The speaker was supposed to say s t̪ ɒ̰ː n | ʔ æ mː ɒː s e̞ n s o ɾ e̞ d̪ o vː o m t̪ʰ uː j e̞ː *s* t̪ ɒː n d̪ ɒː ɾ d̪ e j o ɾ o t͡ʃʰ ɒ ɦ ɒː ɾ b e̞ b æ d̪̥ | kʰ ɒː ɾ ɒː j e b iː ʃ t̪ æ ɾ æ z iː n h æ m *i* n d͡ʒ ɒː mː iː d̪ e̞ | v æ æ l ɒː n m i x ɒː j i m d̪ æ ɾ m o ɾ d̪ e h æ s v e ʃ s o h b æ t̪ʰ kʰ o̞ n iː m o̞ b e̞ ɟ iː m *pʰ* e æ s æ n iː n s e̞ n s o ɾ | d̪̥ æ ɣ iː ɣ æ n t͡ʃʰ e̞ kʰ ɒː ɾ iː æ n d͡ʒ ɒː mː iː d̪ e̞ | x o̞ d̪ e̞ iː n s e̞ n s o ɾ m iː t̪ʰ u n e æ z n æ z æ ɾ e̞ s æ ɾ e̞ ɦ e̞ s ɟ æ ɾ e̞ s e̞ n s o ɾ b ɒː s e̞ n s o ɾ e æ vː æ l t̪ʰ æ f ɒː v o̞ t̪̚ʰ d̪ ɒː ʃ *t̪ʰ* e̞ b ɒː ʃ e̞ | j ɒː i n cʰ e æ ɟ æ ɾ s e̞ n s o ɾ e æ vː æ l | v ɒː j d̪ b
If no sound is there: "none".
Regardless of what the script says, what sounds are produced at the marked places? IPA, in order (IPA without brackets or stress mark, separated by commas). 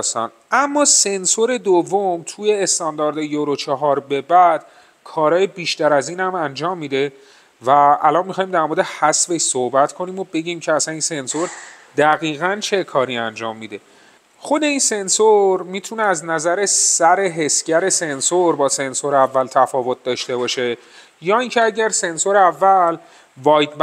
s, æ, cʰ, t̪